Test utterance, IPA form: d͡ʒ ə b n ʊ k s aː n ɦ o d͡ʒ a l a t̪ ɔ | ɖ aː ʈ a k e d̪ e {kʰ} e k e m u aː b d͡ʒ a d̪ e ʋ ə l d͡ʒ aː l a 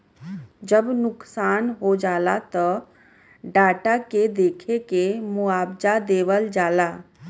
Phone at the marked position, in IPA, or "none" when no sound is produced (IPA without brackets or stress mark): kʰ